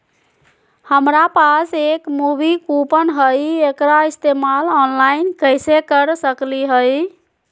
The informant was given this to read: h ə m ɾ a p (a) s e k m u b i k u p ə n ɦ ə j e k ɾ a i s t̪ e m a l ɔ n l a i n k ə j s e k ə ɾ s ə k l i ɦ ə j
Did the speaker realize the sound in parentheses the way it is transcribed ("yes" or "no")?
yes